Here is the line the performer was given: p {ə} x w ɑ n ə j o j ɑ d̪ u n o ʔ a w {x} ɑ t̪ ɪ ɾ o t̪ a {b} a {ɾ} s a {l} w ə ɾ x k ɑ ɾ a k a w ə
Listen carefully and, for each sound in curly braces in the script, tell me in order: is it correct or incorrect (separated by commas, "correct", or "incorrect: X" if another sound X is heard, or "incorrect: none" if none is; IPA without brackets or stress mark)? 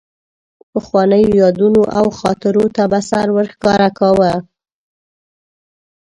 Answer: correct, correct, correct, incorrect: none, incorrect: ɾ